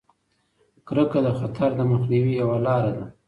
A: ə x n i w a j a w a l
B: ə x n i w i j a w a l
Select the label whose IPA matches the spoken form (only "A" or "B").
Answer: B